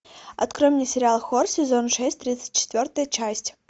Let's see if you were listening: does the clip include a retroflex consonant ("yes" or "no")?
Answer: yes